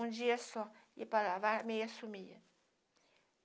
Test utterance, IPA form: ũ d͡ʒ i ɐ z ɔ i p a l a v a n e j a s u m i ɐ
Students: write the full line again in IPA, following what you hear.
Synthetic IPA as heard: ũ d͡ʒ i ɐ s ɔ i p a l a v a m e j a s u m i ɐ